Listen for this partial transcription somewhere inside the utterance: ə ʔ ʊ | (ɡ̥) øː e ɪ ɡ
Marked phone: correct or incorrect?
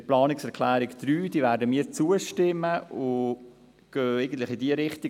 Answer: correct